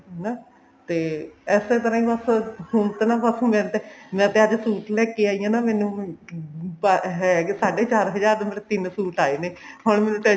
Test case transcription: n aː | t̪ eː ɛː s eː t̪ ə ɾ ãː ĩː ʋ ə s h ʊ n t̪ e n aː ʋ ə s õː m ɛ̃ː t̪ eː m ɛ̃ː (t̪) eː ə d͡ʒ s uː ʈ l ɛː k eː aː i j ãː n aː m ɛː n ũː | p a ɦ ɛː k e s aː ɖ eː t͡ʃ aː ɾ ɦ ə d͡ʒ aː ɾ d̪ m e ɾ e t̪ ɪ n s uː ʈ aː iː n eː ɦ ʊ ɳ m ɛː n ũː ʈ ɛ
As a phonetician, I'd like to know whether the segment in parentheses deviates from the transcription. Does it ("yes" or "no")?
no